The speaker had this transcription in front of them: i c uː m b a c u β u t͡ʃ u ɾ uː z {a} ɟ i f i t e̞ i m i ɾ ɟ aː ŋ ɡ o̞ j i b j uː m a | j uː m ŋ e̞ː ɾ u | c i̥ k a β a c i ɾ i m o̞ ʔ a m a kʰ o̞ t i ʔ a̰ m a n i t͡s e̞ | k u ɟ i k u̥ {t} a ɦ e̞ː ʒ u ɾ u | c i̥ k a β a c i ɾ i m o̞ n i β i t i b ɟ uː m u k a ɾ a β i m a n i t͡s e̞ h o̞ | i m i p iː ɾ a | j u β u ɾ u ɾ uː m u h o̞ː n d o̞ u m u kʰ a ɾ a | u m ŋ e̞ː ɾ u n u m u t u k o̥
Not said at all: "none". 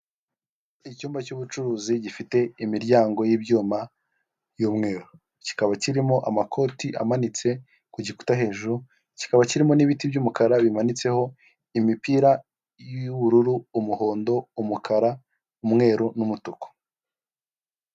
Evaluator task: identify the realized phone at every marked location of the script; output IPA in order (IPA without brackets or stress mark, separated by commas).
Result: i, t